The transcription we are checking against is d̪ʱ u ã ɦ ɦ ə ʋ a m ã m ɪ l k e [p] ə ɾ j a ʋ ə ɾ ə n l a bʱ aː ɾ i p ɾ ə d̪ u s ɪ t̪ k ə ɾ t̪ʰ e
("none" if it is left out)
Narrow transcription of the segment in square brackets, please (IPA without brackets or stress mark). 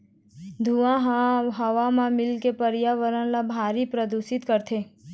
p